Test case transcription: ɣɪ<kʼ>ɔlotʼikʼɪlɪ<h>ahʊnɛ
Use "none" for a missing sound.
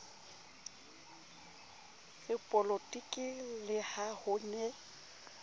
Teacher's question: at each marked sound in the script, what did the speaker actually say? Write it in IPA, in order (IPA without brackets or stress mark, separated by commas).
pʼ, h